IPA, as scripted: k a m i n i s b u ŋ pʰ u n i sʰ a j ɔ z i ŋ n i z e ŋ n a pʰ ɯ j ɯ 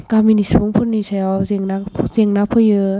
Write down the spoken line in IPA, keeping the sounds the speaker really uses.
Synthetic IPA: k a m i n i s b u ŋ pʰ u n i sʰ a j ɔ z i ŋ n a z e ŋ n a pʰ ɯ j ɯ

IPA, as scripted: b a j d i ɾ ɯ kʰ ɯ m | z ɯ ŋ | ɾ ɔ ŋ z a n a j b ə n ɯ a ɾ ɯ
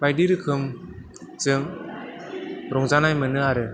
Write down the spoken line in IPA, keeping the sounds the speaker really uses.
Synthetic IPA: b a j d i ɾ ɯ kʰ ɯ m | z ɯ ŋ | ɾ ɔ ŋ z a n a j m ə n ɯ a ɾ ɯ

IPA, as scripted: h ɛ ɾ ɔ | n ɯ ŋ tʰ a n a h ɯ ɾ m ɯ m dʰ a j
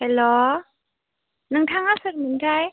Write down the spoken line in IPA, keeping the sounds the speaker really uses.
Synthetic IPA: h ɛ l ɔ | n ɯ ŋ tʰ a ŋ a s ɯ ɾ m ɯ n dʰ a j

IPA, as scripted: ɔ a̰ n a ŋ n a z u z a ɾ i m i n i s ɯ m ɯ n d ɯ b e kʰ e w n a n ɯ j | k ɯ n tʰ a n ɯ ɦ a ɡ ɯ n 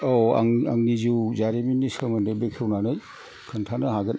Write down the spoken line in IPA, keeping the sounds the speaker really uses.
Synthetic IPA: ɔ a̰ ŋ a ŋ n i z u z a ɾ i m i n i s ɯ m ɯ n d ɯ b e kʰ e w n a n ɯ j | kʰ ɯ n tʰ a n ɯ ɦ a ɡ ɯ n

